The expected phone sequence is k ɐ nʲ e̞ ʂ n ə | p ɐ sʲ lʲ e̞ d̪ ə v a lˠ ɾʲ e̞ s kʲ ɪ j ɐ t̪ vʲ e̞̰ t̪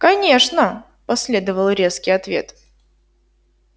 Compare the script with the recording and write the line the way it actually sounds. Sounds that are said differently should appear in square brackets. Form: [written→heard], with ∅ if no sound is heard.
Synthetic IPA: k ɐ nʲ e̞ ʂ n ə | p ɐ sʲ lʲ e̞ d̪ ə v [a→ə] lˠ ɾʲ e̞ s kʲ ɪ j ɐ t̪ vʲ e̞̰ t̪